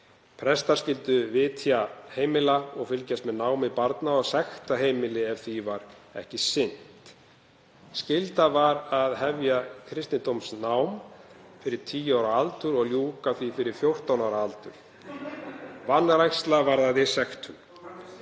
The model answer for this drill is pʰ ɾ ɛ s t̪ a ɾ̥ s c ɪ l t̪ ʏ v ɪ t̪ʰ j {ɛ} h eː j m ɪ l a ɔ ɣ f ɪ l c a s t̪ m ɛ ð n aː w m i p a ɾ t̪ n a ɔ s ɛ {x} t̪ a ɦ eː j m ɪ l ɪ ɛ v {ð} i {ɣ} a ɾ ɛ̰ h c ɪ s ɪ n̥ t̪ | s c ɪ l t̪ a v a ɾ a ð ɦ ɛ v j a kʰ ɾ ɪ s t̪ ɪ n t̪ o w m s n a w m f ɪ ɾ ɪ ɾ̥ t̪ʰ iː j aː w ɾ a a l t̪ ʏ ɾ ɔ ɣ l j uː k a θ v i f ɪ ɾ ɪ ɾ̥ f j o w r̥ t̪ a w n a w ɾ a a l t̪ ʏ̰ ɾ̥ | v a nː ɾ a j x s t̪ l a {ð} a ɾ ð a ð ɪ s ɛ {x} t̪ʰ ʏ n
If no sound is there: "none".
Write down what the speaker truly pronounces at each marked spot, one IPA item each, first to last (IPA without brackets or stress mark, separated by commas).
a, x, θ, v, v, x